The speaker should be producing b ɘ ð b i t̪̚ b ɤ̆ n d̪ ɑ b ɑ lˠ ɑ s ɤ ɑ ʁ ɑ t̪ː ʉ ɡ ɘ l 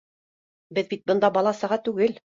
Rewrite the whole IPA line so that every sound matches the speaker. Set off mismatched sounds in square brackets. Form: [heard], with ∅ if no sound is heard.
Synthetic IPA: b ɘ ð b i t̪̚ b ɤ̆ n d̪ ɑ b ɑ lˠ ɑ s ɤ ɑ ʁ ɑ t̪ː ʉ ɡ ɘ l